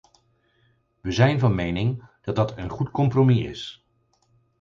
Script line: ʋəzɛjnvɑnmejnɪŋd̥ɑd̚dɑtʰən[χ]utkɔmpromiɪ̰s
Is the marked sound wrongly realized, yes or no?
no